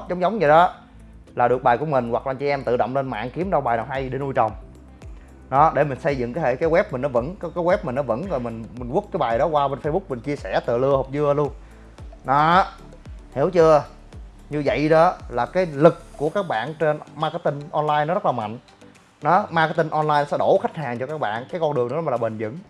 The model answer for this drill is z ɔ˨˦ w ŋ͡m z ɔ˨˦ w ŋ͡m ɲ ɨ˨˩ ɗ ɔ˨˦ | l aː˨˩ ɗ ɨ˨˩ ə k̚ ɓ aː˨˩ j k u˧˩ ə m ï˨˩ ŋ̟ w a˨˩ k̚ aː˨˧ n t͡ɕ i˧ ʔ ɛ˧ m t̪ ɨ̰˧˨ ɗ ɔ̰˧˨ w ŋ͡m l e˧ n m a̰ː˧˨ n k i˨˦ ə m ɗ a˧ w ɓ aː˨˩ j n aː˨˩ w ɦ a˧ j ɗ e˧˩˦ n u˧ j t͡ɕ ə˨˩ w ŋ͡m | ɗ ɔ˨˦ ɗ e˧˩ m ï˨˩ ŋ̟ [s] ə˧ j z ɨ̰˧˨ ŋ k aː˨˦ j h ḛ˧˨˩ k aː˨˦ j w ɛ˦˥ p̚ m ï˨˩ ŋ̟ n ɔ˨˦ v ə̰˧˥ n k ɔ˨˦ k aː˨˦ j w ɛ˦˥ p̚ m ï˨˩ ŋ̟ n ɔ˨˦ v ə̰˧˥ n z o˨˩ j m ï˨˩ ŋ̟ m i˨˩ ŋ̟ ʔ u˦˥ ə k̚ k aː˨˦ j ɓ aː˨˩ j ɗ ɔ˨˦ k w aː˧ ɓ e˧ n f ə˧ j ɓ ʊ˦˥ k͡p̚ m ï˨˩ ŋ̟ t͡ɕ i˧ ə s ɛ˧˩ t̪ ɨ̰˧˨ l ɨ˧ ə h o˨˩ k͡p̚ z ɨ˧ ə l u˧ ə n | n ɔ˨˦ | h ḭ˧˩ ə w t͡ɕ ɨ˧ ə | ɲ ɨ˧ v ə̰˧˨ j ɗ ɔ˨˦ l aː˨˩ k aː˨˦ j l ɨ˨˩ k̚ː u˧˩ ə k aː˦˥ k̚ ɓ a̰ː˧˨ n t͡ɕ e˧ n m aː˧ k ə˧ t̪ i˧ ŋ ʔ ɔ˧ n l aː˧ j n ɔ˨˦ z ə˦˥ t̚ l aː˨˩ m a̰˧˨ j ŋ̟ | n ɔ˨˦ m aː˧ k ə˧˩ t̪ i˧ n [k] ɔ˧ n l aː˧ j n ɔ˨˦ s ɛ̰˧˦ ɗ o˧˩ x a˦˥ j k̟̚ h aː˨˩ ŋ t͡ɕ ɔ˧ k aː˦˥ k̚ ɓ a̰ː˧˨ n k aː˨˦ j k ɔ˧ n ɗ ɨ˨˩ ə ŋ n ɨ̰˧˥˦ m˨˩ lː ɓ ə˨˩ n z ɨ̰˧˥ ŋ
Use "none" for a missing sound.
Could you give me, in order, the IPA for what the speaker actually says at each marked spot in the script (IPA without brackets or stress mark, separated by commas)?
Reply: s, ʔ